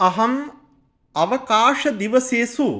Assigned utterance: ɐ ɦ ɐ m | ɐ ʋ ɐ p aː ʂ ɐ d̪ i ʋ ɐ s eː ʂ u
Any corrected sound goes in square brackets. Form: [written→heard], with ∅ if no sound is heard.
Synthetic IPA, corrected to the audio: ɐ ɦ ɐ m | ɐ ʋ ɐ [p→k] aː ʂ ɐ d̪ i ʋ ɐ s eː [ʂ→s] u